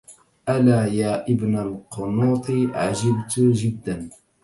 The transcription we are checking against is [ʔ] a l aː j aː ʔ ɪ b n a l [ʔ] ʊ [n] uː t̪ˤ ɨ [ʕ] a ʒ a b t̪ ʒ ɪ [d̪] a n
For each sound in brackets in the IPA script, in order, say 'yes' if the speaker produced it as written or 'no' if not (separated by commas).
yes, no, yes, yes, no